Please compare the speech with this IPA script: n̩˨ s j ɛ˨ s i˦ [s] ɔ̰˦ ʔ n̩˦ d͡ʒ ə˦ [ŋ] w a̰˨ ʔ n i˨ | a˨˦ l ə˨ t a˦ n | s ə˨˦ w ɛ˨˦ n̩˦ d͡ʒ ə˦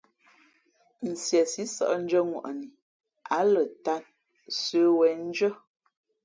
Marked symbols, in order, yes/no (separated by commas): yes, yes